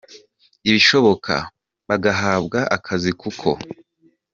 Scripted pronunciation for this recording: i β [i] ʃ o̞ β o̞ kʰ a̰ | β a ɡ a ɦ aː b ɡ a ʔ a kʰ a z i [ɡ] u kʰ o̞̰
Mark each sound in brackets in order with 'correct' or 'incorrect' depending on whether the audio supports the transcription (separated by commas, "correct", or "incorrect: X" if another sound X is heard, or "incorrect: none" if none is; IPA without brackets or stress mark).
correct, incorrect: k